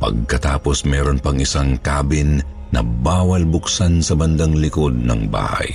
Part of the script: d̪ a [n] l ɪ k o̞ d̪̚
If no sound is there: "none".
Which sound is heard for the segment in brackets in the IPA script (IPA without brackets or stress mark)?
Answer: ŋ